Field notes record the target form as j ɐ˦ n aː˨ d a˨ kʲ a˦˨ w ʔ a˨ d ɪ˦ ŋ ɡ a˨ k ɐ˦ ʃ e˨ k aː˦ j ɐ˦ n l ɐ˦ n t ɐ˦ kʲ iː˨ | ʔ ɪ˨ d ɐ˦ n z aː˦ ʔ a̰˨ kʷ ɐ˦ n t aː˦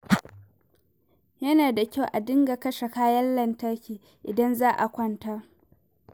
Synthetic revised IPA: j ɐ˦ n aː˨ d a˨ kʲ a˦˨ w ʔ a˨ d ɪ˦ ŋ ɡ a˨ k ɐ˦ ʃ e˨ k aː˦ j ɐ˦ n l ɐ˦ n t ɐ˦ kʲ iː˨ | ʔ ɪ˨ d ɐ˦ n z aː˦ ʔ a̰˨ kʷ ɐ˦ n t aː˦